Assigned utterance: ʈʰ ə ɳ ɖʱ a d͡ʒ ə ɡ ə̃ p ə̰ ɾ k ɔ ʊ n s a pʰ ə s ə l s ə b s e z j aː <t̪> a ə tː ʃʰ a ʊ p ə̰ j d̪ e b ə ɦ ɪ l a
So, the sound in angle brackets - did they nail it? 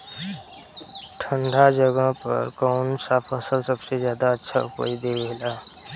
no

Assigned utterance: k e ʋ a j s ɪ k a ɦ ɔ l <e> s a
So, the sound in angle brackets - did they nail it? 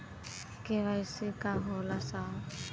no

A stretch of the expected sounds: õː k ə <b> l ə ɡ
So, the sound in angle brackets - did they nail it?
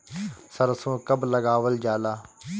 yes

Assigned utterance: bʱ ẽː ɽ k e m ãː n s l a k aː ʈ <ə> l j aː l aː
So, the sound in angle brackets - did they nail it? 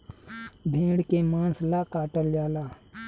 yes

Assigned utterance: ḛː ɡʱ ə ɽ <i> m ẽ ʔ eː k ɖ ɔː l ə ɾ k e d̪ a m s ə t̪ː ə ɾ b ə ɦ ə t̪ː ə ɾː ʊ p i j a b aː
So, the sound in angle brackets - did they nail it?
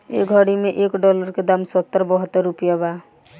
yes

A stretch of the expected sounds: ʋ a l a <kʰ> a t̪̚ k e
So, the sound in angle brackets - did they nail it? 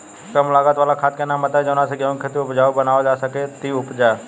yes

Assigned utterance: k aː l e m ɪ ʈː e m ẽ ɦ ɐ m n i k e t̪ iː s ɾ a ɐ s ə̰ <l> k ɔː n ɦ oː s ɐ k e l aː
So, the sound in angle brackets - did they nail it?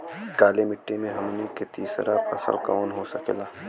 yes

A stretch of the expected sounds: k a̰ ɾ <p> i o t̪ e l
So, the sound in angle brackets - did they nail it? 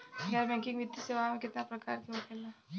no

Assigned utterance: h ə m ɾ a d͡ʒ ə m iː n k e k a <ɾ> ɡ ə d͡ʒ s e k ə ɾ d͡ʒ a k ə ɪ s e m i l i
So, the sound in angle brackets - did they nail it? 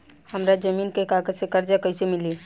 no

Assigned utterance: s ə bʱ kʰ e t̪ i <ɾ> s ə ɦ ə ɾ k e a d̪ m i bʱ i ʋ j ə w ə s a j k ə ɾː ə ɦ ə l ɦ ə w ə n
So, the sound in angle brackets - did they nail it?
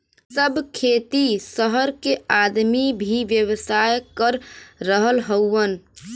no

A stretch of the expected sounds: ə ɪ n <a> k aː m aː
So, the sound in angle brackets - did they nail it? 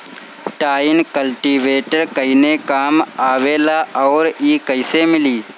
no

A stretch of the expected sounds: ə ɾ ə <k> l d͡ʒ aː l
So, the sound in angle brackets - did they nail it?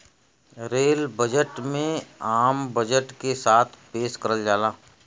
no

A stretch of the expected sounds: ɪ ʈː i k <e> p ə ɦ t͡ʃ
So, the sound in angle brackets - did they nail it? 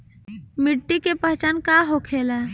yes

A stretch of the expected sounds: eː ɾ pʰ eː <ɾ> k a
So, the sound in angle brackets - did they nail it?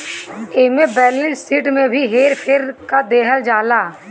yes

